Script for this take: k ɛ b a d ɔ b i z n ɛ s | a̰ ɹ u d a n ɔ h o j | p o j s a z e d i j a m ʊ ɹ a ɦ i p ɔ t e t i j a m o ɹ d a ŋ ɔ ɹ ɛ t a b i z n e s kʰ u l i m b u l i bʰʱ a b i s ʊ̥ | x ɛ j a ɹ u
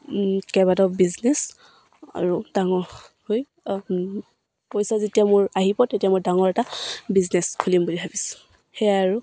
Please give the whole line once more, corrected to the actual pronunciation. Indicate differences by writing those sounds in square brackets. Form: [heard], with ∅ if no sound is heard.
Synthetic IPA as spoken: k ɛ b a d ɔ b i z n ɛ s | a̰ ɹ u d a [ŋ] ɔ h o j | p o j s a z e [t] i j a m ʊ ɹ a ɦ i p ɔ t e t i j a m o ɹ d a ŋ ɔ ɹ ɛ t a b i z n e s kʰ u l i m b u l i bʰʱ a b i s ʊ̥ | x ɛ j a ɹ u

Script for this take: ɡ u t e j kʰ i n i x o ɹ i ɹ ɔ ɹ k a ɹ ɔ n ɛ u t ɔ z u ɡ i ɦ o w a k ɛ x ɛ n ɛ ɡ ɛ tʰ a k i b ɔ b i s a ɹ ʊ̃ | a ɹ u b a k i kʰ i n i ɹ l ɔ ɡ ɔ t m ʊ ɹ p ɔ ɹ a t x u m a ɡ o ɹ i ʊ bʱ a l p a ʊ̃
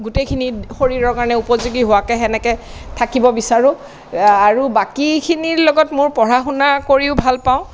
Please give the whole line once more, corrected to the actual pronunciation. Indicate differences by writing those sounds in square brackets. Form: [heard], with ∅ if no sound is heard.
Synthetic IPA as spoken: ɡ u t e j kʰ i n i x o ɹ i ɹ ɔ ɹ k a ɹ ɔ n ɛ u [p] ɔ z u ɡ i ɦ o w a k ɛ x ɛ n ɛ [k] ɛ tʰ a k i b ɔ b i s a ɹ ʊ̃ | a ɹ u b a k i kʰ i n i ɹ l ɔ ɡ ɔ t m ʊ ɹ p ɔ ɹ a [∅] x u [n] a [k] o ɹ i ʊ bʱ a l p a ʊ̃

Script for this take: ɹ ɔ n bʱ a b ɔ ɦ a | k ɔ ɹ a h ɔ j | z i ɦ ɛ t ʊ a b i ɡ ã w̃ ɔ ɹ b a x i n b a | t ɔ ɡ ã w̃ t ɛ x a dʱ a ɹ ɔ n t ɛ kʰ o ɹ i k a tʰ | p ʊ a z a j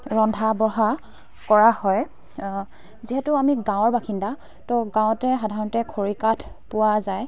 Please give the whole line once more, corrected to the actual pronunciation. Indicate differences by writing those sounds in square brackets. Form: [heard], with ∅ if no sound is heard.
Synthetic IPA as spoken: ɹ ɔ n [dʱ] a b ɔ ɦ a | k ɔ ɹ a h ɔ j | z i ɦ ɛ t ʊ a [m] i ɡ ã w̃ ɔ ɹ b a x i n [d] a | t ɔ ɡ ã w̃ t ɛ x a dʱ a ɹ ɔ n t ɛ kʰ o ɹ i k a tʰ | p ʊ a z a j

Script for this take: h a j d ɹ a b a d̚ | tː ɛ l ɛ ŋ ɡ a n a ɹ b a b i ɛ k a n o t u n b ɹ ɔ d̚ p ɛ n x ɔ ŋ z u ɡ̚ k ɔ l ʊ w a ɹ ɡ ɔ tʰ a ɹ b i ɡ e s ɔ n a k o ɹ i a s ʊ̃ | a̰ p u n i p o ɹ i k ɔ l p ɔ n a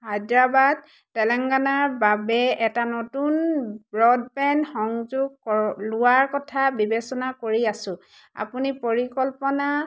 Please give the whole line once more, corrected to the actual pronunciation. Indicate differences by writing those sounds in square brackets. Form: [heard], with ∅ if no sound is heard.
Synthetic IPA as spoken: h a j d ɹ a b a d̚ | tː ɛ l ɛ ŋ ɡ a n a ɹ b a b [ɛ] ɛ [t] a n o t u n b ɹ ɔ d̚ p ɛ n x ɔ ŋ z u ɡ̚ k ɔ l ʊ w a ɹ [k] ɔ tʰ a [∅] b i [b] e s ɔ n a k o ɹ i a s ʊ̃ | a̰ p u n i p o ɹ i k ɔ l p ɔ n a

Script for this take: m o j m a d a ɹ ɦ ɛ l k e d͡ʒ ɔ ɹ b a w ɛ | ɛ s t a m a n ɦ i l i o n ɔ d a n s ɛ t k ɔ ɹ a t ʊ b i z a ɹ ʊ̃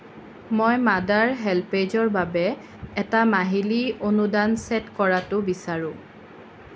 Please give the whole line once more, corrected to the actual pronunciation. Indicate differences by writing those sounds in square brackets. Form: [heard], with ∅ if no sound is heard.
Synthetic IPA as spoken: m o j m a d a ɹ ɦ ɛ l [p] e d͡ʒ ɔ ɹ b a [b] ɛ | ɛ [∅] t a m a [∅] ɦ i l i o n [u] d a n s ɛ t k ɔ ɹ a t ʊ b i [s] a ɹ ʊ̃

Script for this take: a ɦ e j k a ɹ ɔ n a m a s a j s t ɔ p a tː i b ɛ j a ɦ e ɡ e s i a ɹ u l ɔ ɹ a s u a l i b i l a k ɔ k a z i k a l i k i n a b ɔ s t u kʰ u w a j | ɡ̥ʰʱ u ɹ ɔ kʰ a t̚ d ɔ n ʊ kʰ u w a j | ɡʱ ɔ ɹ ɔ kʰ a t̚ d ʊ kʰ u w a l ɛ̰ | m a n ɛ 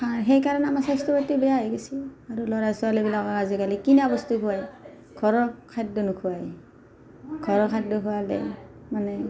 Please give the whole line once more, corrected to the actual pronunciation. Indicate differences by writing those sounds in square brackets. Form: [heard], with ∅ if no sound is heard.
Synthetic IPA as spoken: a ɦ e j k a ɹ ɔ n a m a s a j s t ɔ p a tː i b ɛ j a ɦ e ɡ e s i a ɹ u l ɔ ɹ a s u a l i b i l a k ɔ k a z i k a l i k i n a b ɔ s t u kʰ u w a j | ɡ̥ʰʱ [ɔ] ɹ ɔ kʰ a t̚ d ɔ n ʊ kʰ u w a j | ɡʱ ɔ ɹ ɔ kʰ a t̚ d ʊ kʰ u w a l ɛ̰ | m a n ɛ

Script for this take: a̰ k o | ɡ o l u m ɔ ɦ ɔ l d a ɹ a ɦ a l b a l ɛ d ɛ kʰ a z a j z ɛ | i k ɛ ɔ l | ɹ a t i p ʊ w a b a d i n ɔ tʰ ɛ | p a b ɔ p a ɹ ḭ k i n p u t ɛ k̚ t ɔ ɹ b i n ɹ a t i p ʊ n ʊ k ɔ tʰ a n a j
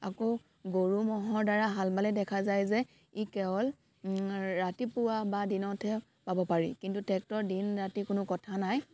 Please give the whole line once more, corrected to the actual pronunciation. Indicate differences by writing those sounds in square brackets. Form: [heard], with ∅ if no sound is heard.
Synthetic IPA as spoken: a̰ k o | ɡ o [ɹ] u m ɔ ɦ ɔ [ɹ] d a ɹ a ɦ a l b a l ɛ d ɛ kʰ a z a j z ɛ | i k ɛ ɔ l | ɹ a t i p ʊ w a b a d i n ɔ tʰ ɛ | p a b ɔ p a ɹ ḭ k i n [t] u t ɛ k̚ t ɔ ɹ [d] i n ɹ a t i [k] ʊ n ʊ k ɔ tʰ a n a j

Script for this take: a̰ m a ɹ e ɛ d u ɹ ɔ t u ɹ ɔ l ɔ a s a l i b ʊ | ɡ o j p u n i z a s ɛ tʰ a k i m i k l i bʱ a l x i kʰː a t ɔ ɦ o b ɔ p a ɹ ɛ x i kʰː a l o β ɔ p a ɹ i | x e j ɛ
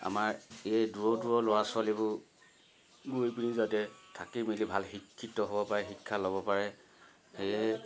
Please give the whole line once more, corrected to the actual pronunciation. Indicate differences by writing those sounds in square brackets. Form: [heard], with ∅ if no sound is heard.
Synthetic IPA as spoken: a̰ m a ɹ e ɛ d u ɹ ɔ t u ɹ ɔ l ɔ a s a l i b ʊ | ɡ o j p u n i z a [t] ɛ tʰ a k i m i [∅] l i bʱ a l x i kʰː [i] t ɔ ɦ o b ɔ p a ɹ ɛ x i kʰː a l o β ɔ p a ɹ [ɛ] | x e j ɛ

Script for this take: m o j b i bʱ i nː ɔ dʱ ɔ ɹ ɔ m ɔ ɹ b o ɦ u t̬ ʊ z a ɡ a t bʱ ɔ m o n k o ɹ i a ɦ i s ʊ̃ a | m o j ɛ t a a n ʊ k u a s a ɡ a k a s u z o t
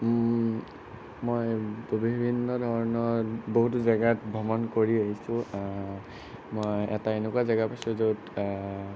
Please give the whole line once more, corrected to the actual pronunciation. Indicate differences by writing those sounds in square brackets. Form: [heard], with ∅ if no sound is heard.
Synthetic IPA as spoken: m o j b i bʱ i nː ɔ dʱ ɔ ɹ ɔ [n] ɔ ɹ b o ɦ u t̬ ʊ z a ɡ a t bʱ ɔ m [ɔ] n k o ɹ i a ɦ i s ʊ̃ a | m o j ɛ t a [e] n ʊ k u a [z] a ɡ a [p] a s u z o t

